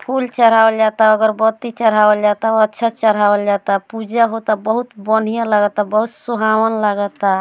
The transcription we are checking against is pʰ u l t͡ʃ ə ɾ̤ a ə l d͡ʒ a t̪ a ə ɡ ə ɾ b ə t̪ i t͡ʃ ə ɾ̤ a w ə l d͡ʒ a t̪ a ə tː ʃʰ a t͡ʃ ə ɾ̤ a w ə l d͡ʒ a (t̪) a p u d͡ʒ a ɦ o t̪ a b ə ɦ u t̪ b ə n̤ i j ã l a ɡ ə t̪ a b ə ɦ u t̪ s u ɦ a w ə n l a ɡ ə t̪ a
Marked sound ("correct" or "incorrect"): correct